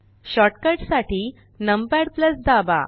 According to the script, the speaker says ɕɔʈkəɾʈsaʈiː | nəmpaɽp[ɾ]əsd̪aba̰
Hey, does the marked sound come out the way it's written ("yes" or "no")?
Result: no